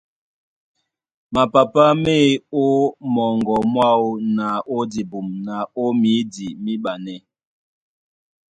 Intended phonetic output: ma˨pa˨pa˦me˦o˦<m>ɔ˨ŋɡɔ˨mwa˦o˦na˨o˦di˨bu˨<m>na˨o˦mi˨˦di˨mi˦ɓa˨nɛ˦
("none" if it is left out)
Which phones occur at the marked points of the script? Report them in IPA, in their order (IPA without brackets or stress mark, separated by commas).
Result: m, m